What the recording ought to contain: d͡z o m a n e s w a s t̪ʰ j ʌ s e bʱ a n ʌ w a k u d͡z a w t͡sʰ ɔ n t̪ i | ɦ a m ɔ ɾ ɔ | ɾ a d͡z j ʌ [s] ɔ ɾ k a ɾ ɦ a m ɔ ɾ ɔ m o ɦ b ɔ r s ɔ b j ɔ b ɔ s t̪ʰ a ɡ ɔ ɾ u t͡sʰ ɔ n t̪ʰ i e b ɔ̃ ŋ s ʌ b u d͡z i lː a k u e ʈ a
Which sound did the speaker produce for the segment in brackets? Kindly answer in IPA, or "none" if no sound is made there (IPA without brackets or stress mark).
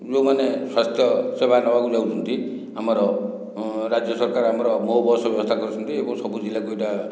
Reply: s